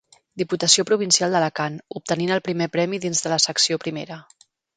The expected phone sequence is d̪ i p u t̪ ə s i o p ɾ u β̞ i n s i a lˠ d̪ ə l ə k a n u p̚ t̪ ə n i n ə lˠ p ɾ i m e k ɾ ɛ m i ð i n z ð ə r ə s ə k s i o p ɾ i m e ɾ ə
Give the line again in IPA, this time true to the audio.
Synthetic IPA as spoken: d̪ i p u t̪ ə s i o p ɾ u β̞ i n s i a lˠ d̪ ə l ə k a n u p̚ t̪ ə n i n ə lˠ p ɾ i m e p ɾ ɛ m i ð i n z ð ə l ə s ə k s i o p ɾ i m e ɾ ə